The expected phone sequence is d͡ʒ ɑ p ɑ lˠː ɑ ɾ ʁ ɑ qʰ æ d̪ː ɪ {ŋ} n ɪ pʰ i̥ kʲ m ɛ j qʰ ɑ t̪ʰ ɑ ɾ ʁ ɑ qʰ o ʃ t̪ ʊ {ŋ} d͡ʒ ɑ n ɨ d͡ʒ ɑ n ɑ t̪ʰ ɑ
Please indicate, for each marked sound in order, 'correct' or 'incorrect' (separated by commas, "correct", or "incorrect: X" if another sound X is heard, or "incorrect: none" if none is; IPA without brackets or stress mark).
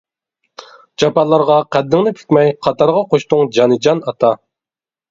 correct, correct